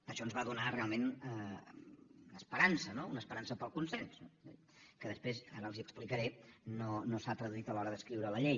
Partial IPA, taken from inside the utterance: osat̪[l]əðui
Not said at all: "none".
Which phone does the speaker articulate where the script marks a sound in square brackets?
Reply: ɾ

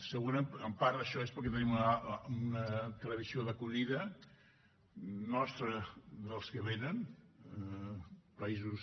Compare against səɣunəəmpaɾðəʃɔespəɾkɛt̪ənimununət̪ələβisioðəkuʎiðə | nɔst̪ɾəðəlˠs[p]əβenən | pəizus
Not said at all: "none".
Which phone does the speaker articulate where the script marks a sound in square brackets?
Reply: k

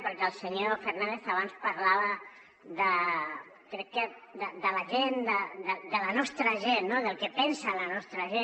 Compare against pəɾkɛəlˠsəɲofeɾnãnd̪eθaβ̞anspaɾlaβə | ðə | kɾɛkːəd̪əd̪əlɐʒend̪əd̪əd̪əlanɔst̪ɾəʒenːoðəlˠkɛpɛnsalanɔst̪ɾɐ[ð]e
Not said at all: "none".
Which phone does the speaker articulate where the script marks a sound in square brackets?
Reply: ʒ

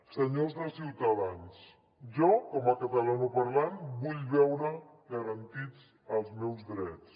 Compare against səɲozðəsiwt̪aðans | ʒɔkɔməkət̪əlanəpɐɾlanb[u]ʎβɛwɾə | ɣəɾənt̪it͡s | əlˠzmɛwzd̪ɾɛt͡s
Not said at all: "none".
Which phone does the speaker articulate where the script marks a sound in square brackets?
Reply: u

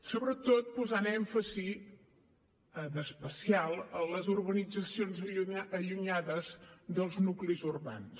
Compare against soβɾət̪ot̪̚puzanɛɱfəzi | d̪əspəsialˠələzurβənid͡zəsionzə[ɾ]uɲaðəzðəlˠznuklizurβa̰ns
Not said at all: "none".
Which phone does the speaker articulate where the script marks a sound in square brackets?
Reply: ʎ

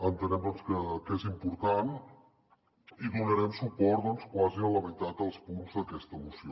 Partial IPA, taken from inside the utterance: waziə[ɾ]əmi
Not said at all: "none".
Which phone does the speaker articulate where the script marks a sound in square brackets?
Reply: l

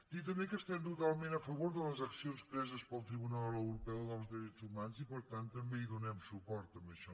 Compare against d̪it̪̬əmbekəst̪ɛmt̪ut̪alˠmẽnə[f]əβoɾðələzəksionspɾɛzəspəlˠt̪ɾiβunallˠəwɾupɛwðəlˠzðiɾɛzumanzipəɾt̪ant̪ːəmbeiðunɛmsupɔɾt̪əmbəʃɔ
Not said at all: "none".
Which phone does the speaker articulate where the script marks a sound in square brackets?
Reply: f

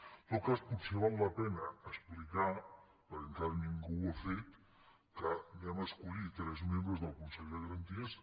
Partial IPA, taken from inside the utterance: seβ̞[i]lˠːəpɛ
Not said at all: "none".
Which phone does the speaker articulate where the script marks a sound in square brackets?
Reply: a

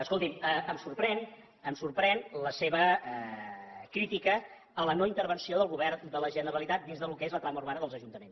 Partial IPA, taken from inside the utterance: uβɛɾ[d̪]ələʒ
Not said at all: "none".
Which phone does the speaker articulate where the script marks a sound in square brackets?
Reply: d̪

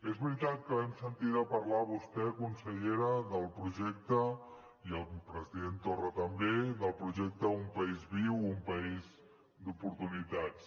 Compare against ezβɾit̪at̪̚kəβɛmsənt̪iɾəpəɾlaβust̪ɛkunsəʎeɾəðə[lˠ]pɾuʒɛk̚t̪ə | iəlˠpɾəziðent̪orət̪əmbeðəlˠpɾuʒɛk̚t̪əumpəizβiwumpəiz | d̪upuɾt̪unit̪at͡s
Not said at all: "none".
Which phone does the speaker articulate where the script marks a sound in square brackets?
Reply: lˠ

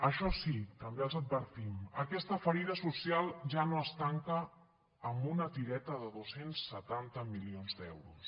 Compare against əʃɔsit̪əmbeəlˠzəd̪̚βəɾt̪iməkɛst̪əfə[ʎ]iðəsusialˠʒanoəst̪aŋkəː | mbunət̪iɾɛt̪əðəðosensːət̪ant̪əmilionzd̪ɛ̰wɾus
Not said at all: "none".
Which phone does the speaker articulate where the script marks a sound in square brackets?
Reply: ɾ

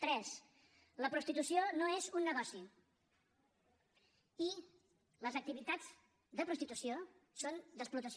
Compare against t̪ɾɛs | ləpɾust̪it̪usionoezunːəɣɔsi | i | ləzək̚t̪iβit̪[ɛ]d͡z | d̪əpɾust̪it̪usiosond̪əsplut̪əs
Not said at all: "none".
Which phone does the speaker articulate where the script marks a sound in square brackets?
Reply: a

